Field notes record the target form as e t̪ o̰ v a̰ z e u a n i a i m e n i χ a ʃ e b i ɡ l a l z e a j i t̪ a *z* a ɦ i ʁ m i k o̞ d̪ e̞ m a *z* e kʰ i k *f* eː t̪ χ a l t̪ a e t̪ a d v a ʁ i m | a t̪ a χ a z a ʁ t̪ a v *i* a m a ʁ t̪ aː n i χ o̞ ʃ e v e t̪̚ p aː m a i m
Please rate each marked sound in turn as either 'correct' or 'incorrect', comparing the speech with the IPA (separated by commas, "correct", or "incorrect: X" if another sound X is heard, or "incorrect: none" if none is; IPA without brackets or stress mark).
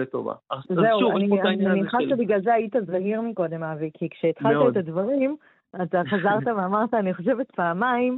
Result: correct, incorrect: v, incorrect: ʃ, incorrect: e